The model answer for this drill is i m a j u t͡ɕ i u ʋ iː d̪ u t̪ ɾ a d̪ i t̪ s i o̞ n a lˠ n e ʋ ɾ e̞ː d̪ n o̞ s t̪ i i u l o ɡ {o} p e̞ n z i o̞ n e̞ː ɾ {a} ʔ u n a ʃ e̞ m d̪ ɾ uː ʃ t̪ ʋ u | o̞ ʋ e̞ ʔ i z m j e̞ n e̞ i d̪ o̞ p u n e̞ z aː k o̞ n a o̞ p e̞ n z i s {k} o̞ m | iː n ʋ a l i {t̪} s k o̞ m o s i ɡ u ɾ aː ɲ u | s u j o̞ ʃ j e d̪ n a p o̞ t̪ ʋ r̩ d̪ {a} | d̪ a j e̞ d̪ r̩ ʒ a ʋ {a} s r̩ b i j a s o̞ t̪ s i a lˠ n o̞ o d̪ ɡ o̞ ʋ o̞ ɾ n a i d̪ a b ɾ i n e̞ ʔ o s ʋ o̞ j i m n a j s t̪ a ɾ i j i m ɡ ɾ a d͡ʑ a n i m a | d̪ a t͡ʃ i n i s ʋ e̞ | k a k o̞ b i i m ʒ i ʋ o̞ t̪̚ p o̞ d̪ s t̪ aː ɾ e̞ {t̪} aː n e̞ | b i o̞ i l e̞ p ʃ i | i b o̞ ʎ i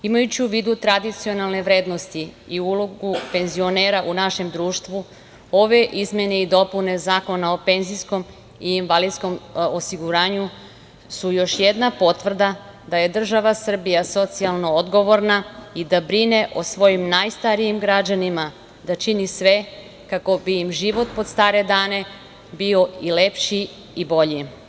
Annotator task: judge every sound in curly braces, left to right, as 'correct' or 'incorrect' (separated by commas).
incorrect, correct, correct, incorrect, correct, correct, incorrect